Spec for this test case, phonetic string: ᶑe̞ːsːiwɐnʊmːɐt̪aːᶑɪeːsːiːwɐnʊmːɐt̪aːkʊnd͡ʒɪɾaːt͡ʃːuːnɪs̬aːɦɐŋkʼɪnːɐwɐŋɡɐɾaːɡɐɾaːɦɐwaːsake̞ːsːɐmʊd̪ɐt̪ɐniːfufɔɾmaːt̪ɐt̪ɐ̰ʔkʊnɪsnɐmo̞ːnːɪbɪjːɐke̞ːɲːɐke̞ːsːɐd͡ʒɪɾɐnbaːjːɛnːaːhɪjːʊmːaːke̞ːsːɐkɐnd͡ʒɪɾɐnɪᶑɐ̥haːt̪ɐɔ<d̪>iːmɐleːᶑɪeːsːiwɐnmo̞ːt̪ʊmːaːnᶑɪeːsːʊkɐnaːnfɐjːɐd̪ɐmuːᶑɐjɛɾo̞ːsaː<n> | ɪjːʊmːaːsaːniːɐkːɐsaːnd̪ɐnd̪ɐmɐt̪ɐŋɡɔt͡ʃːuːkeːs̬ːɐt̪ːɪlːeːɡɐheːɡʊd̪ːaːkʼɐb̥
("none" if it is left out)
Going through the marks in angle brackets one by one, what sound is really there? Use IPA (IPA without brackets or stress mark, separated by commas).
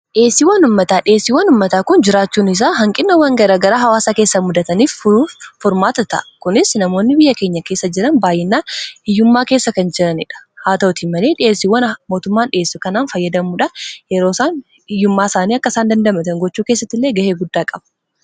t̪, n